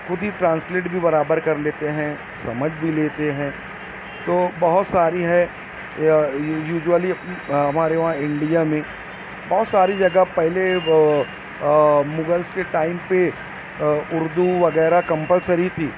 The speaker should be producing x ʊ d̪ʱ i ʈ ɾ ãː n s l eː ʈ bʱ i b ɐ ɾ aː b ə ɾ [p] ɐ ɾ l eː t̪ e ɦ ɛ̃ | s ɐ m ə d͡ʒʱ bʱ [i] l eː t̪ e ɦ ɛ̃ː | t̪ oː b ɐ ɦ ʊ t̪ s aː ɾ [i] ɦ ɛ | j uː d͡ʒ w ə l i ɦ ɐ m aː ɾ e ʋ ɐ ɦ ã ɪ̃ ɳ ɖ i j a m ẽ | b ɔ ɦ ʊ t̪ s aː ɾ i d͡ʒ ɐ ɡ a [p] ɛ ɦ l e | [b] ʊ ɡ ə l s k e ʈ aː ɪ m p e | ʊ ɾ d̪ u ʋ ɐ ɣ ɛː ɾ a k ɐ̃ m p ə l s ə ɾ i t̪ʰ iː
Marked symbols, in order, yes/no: no, yes, yes, yes, no

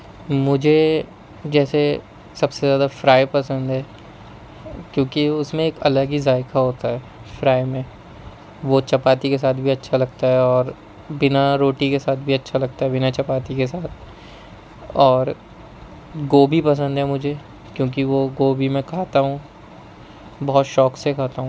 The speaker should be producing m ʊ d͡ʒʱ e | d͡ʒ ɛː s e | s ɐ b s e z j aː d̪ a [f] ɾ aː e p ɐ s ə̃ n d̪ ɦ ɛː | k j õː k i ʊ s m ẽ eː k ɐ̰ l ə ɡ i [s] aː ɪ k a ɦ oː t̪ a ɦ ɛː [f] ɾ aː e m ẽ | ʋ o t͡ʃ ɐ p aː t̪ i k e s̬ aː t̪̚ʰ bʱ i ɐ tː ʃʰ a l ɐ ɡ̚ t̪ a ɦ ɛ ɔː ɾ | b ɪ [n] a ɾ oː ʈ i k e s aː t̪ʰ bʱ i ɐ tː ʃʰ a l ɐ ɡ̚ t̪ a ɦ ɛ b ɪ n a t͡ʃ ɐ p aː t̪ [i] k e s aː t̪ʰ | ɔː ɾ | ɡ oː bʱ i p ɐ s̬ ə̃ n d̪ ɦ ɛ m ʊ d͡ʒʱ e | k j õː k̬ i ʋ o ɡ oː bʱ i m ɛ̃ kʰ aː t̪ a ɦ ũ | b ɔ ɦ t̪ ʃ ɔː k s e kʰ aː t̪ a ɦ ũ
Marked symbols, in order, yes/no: yes, no, yes, yes, yes

